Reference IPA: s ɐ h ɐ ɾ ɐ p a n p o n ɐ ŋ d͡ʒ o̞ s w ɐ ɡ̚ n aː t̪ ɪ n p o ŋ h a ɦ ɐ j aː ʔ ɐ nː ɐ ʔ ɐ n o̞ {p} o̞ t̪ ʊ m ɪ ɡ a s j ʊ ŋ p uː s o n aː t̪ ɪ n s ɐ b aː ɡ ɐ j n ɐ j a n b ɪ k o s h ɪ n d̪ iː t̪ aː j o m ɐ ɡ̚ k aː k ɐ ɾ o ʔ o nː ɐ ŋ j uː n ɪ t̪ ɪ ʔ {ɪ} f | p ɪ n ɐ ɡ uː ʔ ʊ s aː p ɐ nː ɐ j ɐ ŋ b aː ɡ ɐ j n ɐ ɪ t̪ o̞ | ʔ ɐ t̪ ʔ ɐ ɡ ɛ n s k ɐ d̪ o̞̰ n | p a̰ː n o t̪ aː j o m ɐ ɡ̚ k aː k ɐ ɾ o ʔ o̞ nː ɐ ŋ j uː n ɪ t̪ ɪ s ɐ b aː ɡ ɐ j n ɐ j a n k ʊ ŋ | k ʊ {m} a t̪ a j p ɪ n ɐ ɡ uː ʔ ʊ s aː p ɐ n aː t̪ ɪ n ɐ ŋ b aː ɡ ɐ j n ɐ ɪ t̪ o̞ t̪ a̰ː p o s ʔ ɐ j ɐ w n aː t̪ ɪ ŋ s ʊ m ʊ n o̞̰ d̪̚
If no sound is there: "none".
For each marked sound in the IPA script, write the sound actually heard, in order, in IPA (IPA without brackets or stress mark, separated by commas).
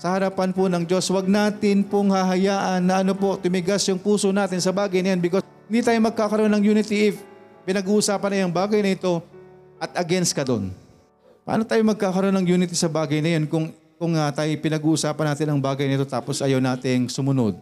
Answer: p, ɪ, ŋ